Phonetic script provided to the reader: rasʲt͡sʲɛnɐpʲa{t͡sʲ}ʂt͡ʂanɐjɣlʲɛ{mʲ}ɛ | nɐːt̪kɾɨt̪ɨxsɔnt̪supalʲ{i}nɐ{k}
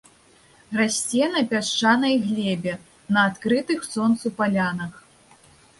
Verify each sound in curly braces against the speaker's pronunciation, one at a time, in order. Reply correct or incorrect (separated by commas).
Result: incorrect, incorrect, incorrect, incorrect